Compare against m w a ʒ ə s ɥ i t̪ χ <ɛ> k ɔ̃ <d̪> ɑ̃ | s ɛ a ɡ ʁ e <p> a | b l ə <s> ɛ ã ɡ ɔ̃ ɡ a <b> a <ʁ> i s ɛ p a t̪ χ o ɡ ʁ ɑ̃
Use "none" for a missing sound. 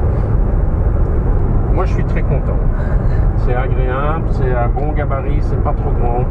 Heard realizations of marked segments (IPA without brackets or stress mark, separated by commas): ɛ, t̪, none, s, b, ʁ